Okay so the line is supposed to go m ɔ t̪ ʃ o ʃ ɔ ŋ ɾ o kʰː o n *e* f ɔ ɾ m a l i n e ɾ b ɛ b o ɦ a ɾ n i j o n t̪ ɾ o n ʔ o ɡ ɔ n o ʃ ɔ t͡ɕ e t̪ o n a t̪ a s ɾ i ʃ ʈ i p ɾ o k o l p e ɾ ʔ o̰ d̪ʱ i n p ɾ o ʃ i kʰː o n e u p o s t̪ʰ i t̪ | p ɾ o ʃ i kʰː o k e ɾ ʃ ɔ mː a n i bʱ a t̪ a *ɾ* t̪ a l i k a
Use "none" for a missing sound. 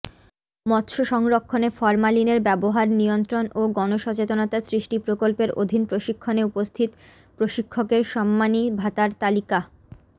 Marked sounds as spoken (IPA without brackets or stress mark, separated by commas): e, ɾ